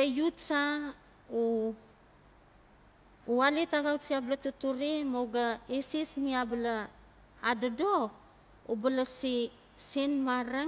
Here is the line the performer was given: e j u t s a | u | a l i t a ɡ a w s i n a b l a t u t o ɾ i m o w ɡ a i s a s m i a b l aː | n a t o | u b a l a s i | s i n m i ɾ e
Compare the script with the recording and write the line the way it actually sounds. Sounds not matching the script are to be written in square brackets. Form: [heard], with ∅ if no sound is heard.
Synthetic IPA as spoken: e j u t s a | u | a l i t a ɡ a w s i [∅] a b l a t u t [u] ɾ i m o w ɡ a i s [i] s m i a b l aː | [d] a [d] o | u b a l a s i | s i n m [a] ɾ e

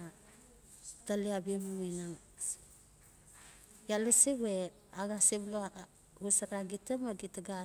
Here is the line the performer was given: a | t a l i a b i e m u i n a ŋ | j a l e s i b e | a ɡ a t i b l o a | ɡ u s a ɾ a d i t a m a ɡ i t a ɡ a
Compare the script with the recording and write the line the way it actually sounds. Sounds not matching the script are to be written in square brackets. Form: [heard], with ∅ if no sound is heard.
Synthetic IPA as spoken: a | t a l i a b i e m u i n a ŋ | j a l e s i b e | a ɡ a [s] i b l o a | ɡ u s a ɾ a [ɡ] i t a m a ɡ i t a ɡ a

